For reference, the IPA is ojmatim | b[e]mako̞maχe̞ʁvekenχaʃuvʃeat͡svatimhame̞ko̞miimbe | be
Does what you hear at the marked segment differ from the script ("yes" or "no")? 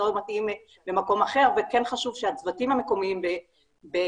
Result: no